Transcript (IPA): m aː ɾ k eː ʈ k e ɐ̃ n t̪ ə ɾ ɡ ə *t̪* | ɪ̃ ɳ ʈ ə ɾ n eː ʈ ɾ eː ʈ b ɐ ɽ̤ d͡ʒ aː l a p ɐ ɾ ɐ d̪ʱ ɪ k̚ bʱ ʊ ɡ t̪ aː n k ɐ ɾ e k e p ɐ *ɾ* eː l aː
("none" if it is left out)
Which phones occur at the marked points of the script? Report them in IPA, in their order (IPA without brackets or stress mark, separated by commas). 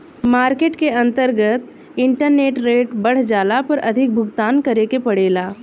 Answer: t̪, ɽ